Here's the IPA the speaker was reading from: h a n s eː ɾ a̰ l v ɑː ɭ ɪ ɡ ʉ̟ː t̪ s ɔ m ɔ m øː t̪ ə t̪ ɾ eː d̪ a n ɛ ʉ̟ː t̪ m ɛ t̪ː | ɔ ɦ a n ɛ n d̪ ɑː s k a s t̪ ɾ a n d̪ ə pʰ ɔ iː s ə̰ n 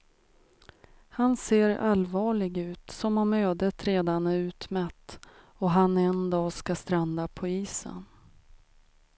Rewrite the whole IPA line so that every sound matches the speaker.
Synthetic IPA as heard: h a n s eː ɾ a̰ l v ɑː ɭ ɪ ɡ ʉ̟ː t̪ s ɔ m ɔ m øː d̪ ə t̪ ɾ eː d̪ a n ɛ ʉ̟ː t̪ m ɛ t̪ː | ɔ ɦ a n ɛ n d̪ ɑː s k a s t̪ ɾ a n d̪ a pʰ ɔ iː s ə̰ n